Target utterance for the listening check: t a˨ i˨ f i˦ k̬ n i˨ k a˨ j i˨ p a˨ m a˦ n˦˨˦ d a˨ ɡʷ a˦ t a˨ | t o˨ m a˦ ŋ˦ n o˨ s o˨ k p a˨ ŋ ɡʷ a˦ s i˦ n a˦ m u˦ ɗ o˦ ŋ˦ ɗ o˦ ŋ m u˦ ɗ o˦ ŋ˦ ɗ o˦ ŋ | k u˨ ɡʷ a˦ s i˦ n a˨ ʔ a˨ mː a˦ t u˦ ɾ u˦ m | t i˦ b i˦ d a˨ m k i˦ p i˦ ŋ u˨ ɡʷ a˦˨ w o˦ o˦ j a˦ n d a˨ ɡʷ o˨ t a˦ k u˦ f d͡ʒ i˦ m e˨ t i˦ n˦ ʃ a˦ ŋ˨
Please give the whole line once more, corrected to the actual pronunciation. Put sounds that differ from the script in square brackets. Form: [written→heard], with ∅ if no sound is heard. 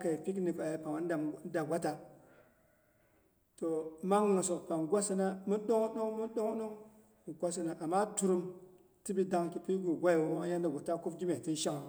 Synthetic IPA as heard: [t→k] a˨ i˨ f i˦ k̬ n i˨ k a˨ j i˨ p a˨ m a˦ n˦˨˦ d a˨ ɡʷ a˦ t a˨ | t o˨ m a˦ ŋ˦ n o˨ s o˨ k p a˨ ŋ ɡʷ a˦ s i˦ n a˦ m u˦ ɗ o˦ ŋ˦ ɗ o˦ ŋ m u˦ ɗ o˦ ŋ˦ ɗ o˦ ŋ | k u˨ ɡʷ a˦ s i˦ n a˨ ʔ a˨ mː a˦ t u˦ ɾ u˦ m | t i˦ b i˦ d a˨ [m→ŋ] k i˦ p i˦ [ŋ→ɡ] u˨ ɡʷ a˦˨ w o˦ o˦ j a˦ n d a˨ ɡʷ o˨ t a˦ k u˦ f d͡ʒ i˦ m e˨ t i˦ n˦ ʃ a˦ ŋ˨